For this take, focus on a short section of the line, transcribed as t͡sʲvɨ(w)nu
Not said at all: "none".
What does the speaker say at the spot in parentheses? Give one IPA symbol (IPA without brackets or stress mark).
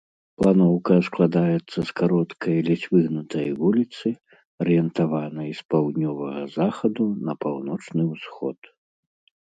ɣ